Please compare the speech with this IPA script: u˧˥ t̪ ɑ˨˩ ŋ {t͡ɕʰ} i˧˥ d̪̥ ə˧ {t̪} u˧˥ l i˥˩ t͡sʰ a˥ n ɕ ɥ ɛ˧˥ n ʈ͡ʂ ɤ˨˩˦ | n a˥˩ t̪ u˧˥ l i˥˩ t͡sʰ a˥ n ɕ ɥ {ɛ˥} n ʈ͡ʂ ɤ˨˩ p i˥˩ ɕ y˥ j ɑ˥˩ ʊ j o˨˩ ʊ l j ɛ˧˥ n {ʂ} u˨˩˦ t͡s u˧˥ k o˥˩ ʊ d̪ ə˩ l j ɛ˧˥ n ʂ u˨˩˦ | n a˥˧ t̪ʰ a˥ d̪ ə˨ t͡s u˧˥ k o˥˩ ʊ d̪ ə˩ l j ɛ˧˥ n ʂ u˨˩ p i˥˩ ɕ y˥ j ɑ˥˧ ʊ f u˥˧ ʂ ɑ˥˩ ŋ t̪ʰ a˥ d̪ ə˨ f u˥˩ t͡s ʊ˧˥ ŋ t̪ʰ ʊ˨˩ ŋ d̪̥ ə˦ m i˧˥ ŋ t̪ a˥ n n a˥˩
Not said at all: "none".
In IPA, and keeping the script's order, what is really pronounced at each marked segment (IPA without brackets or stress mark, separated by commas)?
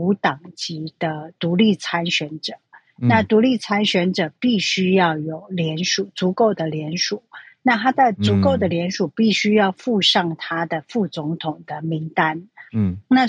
t͡ɕ, t̪, ɛ˧˥, ʂ